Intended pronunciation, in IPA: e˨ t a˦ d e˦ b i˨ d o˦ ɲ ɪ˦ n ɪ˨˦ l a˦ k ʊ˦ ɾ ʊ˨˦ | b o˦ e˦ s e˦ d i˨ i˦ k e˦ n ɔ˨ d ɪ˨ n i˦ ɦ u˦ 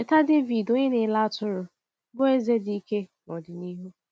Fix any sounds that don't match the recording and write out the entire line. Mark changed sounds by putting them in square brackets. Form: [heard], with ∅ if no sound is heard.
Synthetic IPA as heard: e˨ t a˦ d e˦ [v] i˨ d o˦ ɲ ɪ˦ n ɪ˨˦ l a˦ [t] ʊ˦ ɾ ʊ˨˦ | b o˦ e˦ [z] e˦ d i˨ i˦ k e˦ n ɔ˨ d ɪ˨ n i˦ ɦ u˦

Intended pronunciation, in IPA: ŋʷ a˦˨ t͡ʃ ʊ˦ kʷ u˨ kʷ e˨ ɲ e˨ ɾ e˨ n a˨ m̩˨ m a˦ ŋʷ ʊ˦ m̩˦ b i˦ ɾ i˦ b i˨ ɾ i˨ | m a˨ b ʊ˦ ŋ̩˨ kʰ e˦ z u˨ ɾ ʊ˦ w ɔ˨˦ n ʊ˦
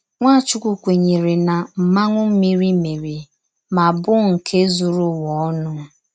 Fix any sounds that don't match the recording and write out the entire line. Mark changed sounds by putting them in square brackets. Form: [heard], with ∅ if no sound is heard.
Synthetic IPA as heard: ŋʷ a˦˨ t͡ʃ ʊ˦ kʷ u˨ kʷ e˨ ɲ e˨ ɾ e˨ n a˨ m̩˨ m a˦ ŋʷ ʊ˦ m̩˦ [m] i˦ ɾ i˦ [m] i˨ ɾ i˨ | m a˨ b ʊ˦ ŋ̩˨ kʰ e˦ z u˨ ɾ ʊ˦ w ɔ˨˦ n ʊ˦

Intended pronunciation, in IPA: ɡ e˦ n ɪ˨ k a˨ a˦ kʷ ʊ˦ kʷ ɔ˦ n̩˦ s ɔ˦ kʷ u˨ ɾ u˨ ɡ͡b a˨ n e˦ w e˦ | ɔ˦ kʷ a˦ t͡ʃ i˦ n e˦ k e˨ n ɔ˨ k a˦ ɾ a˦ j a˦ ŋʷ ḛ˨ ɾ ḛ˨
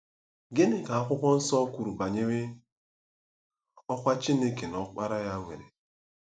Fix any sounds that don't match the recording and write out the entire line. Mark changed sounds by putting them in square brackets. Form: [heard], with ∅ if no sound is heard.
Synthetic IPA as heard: ɡ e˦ n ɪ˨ k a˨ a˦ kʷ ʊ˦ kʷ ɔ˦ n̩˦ s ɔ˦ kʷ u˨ ɾ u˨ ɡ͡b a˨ [ɲ] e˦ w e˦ | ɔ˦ kʷ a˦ t͡ʃ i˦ n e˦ k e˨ n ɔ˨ [k͡p] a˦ ɾ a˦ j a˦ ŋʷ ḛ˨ ɾ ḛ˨

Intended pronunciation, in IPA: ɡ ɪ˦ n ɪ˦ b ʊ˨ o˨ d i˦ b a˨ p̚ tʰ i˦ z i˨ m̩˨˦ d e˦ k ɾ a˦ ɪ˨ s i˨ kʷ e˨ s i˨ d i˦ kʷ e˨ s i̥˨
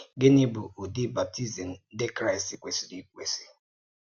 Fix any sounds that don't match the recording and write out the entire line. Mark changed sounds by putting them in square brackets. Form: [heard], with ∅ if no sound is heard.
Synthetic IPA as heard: ɡ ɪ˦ n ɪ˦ b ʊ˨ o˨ d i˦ b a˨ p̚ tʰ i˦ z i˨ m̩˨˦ d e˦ k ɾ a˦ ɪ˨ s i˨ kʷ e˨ s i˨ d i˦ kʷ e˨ s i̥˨

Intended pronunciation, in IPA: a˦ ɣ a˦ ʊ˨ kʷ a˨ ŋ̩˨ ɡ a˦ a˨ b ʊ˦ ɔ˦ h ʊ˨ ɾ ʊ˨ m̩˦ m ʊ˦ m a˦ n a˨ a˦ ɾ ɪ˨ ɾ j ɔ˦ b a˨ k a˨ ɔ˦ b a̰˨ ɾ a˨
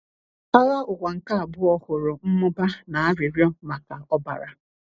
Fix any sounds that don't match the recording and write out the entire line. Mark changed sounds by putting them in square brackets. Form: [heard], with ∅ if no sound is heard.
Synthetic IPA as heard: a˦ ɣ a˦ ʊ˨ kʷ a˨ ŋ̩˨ [k] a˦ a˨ b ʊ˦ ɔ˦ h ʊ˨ ɾ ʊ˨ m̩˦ m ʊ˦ [b] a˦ n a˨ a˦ ɾ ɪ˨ ɾ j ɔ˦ [m] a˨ k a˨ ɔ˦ b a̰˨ ɾ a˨

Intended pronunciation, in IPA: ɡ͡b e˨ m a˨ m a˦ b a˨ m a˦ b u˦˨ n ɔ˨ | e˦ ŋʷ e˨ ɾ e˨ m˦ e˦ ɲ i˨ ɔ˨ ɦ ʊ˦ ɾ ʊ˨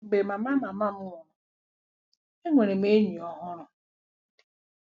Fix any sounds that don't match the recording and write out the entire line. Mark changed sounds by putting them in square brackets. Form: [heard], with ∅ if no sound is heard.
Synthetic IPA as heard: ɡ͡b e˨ m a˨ m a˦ [m] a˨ m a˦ [m] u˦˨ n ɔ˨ | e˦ ŋʷ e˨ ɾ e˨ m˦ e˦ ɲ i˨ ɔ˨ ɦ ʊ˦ ɾ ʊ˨

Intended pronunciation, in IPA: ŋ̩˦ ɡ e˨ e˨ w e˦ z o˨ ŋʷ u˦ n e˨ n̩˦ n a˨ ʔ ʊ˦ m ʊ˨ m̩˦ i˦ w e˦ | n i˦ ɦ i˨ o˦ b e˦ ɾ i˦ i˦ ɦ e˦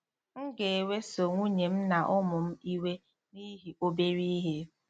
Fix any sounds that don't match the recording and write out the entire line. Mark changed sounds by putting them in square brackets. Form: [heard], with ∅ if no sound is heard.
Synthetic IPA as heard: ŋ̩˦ ɡ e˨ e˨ w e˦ [s] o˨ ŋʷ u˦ [ɲ] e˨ [m̩˦] n a˨ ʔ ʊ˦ m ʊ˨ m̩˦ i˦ w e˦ | n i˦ ɦ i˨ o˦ b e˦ ɾ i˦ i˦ ɦ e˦

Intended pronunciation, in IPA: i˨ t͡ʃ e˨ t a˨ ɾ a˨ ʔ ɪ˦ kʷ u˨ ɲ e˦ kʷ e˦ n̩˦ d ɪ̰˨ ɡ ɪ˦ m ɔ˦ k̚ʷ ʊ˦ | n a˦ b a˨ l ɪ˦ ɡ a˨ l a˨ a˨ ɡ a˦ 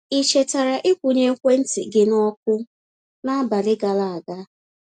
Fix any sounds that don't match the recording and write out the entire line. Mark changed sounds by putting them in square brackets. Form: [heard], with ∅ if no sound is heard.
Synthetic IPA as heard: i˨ t͡ʃ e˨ t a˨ ɾ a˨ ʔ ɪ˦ kʷ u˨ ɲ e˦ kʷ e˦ n̩˦ [t] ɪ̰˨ ɡ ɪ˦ [n] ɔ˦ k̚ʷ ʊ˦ | n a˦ b a˨ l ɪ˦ ɡ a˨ l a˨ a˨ ɡ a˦

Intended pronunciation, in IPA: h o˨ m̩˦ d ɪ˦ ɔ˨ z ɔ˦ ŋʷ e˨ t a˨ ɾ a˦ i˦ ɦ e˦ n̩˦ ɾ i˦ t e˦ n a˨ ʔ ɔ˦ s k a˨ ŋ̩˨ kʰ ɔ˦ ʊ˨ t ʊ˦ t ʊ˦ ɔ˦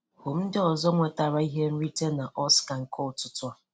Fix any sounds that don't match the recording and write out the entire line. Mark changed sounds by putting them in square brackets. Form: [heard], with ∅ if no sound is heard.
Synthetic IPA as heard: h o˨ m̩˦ d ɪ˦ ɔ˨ z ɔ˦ ŋʷ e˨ t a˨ ɾ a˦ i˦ ɦ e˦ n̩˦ ɾ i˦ t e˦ n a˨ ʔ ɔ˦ s k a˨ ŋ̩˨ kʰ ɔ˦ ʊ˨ t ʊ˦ t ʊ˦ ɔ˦

